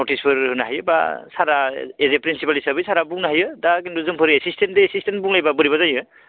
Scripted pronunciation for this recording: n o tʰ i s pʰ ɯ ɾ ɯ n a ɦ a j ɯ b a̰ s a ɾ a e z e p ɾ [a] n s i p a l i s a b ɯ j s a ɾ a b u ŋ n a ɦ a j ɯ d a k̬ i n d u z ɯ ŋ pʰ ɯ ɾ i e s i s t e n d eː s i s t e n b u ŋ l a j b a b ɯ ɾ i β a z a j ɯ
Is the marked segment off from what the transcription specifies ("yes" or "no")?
yes